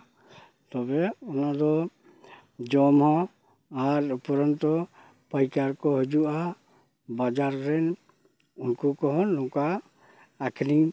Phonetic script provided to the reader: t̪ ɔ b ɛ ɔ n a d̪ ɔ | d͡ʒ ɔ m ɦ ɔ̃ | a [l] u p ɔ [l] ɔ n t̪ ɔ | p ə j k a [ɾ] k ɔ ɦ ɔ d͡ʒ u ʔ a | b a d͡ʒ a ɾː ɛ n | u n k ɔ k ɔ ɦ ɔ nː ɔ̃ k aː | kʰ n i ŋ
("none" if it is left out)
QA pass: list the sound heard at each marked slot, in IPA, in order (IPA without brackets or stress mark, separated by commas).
ɾ, ɾ, ɾ